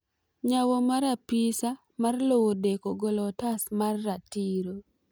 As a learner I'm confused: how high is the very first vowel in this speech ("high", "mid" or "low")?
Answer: low